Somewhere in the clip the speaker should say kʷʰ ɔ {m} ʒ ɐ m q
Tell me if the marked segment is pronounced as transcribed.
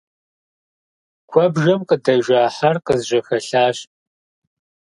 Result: no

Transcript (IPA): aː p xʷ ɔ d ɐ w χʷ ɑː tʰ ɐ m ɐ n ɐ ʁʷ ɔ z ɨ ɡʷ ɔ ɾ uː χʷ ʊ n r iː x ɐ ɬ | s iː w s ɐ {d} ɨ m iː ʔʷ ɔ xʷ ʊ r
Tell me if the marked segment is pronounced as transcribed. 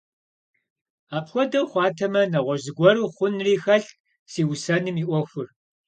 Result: no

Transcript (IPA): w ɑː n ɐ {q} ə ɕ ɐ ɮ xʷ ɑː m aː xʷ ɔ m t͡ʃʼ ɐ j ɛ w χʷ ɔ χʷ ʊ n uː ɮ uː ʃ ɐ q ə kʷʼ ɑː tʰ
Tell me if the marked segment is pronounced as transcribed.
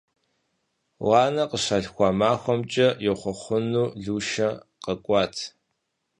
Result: yes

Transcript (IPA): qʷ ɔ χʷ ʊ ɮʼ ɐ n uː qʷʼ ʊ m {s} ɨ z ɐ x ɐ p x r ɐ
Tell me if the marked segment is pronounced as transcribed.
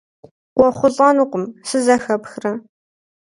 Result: yes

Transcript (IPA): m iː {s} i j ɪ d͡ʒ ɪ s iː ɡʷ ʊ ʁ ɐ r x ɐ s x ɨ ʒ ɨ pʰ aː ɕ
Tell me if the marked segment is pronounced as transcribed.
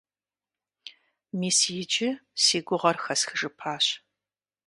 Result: yes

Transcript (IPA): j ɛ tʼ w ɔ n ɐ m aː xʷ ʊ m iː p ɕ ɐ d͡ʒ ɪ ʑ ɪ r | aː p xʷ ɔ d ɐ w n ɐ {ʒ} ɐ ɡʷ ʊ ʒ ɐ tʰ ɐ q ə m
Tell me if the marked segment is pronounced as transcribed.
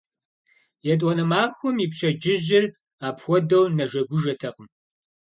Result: yes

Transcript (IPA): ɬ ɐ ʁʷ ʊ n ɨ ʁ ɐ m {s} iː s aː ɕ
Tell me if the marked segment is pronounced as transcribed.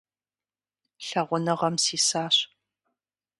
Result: yes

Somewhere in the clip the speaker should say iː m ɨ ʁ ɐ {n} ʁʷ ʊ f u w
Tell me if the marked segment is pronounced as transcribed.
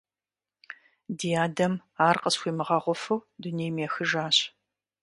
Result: no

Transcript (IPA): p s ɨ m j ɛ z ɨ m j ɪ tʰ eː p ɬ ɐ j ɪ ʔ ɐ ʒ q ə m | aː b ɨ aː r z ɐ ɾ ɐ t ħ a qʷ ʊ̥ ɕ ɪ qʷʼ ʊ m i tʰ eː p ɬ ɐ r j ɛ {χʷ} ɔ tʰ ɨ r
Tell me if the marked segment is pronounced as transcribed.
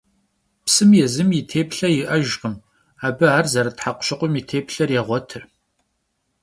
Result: no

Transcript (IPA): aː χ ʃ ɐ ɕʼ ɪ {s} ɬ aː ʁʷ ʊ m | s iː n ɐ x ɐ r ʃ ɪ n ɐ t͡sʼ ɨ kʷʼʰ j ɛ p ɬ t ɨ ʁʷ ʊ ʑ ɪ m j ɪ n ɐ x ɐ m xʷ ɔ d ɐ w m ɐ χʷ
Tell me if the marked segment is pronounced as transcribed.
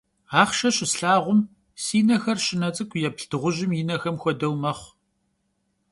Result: yes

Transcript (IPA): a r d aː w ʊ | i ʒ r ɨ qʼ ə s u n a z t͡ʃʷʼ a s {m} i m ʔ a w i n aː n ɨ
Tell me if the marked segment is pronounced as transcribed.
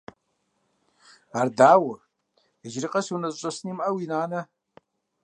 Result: no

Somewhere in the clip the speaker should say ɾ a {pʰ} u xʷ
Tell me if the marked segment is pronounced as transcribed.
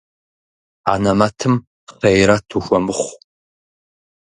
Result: no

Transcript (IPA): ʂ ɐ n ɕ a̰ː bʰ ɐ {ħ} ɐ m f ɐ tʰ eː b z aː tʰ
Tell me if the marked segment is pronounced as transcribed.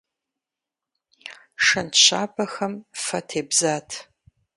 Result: no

